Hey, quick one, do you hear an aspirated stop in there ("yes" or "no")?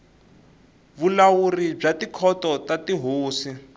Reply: yes